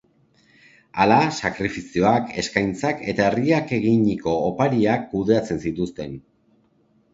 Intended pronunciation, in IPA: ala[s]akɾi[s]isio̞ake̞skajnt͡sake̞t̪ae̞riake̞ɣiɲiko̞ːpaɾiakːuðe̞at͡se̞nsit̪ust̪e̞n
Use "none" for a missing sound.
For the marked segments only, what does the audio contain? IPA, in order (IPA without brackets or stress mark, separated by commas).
s, f